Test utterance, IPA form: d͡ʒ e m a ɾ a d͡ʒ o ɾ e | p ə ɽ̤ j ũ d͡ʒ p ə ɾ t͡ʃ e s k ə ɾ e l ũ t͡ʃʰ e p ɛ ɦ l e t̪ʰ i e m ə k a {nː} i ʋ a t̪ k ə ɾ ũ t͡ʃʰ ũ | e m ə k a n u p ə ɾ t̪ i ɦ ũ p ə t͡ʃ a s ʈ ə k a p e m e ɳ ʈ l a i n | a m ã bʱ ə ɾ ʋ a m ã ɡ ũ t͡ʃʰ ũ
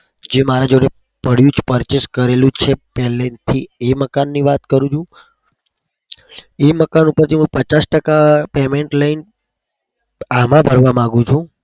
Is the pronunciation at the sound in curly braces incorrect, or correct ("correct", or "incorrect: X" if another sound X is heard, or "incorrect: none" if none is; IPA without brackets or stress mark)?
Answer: correct